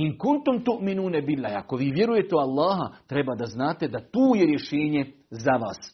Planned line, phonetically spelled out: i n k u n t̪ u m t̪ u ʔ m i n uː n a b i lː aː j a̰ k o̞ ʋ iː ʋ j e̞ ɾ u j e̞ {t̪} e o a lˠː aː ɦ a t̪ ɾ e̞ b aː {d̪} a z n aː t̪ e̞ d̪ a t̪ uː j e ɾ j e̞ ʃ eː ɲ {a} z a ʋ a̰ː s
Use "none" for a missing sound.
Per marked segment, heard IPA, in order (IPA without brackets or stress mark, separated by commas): t̪, d̪, e